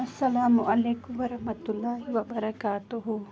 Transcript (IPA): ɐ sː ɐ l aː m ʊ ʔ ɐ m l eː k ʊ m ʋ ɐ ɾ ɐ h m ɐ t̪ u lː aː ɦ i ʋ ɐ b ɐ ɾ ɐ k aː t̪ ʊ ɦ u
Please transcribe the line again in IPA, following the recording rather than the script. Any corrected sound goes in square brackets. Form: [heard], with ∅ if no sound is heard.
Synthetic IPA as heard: ɐ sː ɐ l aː m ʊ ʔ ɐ [∅] l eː k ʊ m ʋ ɐ ɾ ɐ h m ɐ t̪ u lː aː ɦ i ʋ ɐ b ɐ ɾ ɐ k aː t̪ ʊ ɦ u